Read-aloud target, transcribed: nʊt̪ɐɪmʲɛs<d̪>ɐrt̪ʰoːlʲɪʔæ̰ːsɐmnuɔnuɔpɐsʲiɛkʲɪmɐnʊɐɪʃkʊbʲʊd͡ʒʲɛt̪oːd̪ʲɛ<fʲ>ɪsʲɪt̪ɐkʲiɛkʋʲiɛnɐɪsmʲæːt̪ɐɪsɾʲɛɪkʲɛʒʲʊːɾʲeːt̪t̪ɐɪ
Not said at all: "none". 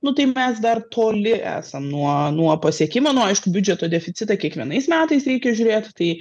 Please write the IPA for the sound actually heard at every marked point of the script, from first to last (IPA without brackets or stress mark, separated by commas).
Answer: d̪, fʲ